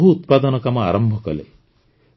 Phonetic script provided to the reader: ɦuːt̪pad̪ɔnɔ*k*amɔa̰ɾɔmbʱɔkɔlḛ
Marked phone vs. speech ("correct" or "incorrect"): correct